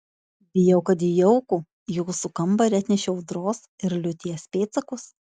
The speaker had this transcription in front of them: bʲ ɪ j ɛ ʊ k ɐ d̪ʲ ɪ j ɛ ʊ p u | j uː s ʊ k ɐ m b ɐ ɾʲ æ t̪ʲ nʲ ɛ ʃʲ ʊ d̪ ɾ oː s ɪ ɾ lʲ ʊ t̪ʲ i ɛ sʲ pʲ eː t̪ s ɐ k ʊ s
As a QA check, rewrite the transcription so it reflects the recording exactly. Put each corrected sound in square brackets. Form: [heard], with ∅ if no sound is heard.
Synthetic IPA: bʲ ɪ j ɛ ʊ k ɐ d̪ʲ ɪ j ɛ ʊ [k] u | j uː s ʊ k ɐ m b ɐ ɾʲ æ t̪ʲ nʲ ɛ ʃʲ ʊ d̪ ɾ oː s ɪ ɾ lʲ ʊ t̪ʲ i ɛ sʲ pʲ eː t̪ s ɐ k ʊ s